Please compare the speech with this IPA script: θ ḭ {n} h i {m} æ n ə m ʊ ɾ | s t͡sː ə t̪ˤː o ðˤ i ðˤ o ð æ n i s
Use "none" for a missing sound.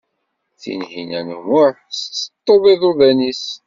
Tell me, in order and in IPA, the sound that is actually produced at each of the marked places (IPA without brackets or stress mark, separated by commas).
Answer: n, n